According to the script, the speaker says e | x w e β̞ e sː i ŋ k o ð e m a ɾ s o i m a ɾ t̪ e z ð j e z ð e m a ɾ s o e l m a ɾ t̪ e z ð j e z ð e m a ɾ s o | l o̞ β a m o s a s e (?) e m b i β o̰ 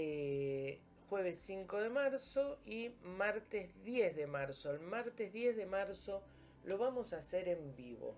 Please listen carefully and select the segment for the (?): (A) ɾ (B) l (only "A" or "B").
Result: A